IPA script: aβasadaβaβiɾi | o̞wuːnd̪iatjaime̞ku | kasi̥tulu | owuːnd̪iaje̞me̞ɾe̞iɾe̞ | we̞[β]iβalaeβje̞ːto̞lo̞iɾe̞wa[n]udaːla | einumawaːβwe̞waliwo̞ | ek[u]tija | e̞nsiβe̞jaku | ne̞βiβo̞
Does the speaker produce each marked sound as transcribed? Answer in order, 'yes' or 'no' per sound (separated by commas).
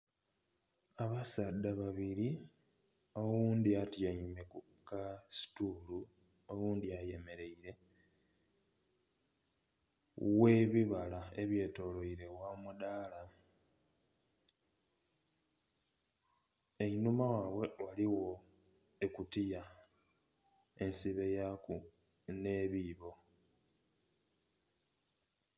yes, no, yes